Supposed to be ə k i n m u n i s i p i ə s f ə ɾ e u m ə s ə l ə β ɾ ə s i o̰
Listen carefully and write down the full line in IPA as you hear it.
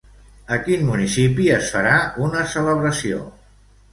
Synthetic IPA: ə k i n m u n i s i p i ə s f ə ɾ a u n ə s ə l ə β ɾ ə s i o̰